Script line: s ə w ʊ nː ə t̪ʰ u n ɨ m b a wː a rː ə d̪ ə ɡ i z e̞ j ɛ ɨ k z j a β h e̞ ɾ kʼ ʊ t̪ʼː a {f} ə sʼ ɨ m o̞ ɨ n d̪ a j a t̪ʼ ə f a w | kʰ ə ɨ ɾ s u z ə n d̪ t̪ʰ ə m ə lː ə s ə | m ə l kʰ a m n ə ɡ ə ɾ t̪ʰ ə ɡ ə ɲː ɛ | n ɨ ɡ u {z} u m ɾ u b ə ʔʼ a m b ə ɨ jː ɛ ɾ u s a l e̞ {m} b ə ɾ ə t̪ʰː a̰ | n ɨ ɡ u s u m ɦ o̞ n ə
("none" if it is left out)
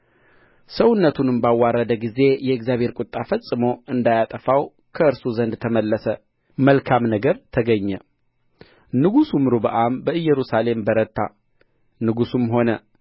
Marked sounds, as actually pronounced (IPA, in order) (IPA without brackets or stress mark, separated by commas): f, s, m